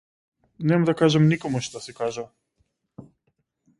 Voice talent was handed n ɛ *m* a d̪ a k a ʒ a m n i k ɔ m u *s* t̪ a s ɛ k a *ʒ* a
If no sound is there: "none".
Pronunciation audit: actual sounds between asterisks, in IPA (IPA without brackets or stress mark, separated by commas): m, ʃ, ʒ